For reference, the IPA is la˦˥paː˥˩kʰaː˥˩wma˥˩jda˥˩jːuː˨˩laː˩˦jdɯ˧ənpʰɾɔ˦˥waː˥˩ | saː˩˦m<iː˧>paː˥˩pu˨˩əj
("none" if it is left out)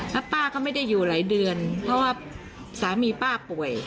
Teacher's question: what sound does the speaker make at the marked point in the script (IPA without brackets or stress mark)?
iː˧